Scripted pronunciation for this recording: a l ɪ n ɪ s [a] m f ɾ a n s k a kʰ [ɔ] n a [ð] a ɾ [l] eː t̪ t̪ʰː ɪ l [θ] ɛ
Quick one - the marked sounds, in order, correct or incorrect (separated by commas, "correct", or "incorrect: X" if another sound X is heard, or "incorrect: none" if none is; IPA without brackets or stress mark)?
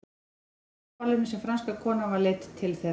incorrect: ɛ, incorrect: ɔː, incorrect: v, correct, correct